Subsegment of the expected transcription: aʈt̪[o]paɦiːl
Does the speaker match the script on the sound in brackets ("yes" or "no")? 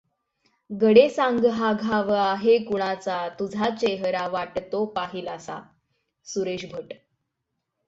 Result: yes